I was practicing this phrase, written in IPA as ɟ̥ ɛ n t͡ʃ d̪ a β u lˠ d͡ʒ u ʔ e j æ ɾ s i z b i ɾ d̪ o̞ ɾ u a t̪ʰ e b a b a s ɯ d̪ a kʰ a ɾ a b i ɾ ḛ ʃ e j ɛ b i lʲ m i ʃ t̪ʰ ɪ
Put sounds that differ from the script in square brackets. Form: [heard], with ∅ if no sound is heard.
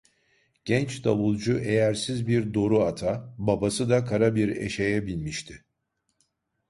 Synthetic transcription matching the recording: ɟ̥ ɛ n t͡ʃ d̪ a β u lˠ d͡ʒ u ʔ e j æ ɾ s i z b i ɾ d̪ o̞ ɾ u a t̪ʰ [a] b a b a s ɯ d̪ a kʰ a ɾ a b i ɾ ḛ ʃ e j ɛ b i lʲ m i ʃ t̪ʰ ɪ